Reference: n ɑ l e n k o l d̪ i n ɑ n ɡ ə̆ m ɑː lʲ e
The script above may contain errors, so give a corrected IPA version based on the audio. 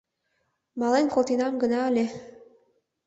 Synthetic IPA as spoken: m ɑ l e n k o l t̪ i n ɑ m ɡ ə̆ n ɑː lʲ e